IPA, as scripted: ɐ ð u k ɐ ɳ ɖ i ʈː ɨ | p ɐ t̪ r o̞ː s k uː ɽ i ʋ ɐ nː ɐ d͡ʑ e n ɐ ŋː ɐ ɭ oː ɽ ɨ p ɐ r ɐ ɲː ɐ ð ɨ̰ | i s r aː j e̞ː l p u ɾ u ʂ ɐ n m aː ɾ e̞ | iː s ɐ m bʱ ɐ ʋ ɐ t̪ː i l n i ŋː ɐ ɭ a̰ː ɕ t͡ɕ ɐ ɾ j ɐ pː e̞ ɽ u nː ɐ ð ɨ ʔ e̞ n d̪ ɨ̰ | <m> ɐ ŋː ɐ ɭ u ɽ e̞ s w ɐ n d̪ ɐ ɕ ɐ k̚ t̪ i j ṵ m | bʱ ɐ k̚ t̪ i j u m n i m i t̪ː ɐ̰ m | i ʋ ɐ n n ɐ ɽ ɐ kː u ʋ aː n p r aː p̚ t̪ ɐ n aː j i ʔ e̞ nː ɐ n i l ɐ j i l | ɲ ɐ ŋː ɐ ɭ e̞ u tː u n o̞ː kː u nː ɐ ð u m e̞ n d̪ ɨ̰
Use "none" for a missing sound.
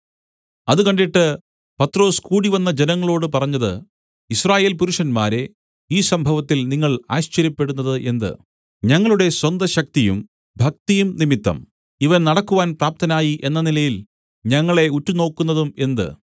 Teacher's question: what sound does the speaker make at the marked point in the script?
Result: ɲ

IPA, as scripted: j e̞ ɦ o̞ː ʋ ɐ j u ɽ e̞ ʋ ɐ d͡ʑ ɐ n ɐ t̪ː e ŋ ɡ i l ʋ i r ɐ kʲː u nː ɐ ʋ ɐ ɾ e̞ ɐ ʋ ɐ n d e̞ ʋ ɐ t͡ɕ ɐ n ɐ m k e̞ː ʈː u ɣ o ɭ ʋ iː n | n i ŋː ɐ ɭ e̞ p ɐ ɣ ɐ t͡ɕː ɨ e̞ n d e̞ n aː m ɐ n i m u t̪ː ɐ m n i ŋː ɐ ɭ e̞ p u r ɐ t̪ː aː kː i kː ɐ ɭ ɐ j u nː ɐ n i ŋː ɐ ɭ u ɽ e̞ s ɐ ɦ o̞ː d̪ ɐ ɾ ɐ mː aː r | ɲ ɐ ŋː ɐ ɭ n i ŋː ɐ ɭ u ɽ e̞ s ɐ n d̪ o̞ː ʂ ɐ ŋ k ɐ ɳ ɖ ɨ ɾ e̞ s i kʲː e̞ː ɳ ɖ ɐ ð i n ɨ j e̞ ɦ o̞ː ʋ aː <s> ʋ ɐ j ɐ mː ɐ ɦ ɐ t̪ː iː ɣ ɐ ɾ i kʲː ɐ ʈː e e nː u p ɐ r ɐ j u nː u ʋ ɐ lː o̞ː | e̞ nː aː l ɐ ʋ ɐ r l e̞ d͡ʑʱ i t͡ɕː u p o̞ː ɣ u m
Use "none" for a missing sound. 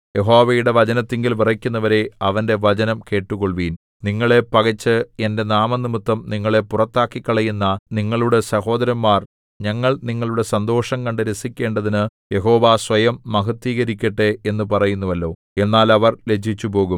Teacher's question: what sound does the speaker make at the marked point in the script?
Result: s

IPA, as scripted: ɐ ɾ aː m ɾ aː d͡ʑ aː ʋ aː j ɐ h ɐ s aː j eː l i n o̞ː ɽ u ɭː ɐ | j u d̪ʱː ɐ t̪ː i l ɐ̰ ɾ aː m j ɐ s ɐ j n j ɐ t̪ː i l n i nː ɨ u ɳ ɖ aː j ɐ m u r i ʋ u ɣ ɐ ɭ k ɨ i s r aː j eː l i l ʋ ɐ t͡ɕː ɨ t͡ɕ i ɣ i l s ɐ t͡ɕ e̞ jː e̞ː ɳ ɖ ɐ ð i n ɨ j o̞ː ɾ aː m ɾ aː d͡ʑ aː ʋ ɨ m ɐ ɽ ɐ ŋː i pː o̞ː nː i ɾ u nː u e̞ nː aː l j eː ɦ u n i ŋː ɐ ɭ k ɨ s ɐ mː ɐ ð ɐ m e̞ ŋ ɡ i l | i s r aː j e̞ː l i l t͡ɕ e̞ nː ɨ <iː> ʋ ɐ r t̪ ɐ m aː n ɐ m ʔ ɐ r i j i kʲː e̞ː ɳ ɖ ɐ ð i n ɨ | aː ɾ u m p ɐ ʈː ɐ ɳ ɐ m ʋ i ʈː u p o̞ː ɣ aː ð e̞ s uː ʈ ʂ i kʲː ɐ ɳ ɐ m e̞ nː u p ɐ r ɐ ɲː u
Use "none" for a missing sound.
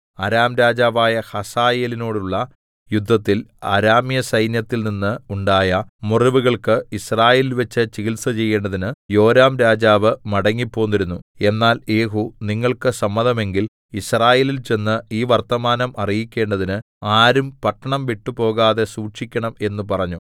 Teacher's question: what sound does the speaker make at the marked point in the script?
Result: iː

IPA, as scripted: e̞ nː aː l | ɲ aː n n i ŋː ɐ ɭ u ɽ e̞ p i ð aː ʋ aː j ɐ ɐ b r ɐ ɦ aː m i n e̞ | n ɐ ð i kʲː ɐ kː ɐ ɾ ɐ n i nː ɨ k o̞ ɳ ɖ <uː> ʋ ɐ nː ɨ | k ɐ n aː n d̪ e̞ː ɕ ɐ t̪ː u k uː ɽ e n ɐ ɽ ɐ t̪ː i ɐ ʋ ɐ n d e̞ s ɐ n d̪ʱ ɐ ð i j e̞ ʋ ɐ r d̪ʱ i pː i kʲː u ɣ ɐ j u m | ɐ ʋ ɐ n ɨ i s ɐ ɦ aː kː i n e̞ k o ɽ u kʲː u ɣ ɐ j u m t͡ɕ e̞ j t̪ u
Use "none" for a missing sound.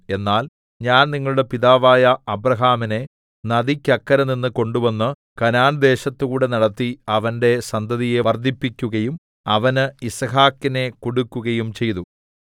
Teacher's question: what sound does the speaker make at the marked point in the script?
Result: u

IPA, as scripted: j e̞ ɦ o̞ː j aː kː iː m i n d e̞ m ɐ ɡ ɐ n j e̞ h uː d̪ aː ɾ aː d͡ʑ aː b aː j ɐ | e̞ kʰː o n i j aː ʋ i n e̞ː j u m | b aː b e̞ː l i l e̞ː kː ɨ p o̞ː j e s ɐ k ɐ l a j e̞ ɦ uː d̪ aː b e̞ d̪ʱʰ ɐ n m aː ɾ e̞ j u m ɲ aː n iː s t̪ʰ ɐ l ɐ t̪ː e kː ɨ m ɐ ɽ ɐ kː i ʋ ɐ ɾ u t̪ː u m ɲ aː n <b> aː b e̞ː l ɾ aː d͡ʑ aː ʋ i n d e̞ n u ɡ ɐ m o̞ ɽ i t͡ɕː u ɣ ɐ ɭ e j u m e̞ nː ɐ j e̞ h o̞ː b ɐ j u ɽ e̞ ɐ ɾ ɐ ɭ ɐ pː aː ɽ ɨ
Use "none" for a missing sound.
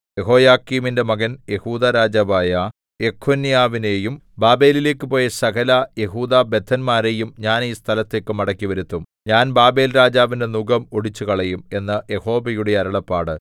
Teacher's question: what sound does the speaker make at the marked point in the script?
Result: b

